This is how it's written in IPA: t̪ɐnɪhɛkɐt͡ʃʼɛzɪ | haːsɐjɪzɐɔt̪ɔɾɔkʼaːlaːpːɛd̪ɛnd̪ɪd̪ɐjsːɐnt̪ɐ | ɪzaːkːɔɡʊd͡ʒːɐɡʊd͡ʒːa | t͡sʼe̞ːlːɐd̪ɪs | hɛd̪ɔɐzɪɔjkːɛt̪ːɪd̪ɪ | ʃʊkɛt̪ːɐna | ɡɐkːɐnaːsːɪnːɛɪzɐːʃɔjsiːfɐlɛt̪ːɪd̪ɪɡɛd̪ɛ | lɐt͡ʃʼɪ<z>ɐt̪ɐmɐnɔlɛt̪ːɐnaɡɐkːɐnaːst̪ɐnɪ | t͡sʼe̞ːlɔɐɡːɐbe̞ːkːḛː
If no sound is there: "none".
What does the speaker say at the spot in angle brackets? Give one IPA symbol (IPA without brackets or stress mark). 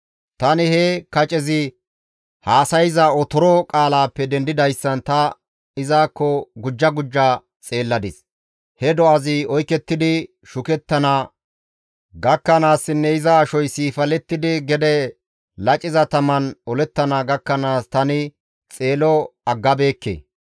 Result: z